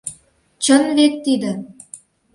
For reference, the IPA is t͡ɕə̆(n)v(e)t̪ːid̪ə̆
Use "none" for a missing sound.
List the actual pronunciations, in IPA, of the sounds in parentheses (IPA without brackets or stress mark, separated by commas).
n, e